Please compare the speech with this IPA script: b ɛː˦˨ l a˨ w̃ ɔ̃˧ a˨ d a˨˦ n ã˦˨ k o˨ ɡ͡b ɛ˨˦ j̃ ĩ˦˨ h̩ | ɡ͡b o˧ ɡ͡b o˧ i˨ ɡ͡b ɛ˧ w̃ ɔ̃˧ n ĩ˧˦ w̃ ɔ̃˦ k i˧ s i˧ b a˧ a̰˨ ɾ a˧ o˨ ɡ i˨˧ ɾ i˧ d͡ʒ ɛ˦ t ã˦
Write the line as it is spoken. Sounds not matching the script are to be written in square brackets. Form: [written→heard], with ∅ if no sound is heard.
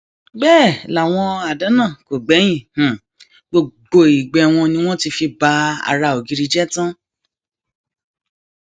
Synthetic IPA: b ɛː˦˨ l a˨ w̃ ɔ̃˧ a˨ d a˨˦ n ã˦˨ k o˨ ɡ͡b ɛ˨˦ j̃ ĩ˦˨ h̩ | ɡ͡b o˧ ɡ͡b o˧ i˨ ɡ͡b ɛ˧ w̃ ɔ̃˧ n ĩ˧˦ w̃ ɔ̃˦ [k→t] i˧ [s→f] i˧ b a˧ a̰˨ ɾ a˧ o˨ ɡ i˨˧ ɾ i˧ d͡ʒ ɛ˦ t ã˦